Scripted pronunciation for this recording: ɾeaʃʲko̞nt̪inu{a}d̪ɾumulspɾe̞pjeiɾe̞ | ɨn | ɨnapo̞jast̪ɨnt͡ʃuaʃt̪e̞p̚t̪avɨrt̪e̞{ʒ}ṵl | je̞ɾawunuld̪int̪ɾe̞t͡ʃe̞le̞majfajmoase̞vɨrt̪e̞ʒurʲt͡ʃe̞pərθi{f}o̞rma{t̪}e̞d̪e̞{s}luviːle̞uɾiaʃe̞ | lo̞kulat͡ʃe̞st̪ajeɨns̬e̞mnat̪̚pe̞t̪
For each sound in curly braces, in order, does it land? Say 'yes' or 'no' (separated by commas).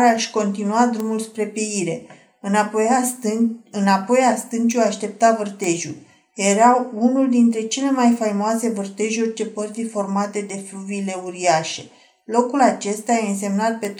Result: yes, yes, yes, yes, no